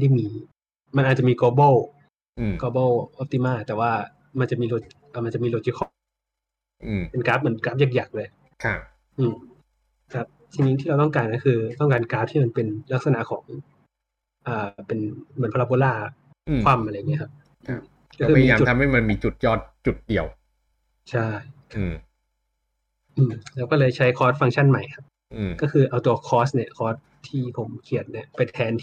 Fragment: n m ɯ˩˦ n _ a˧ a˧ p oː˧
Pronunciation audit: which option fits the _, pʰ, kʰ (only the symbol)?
pʰ